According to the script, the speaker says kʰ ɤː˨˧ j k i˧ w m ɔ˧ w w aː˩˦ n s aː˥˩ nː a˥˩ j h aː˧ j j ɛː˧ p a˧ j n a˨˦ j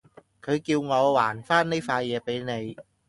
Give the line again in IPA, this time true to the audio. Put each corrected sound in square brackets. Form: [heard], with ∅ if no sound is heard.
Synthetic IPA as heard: kʰ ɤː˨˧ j k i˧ w [ŋ] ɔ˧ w w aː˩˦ n [f] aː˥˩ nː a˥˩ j [f] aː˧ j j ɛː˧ p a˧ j n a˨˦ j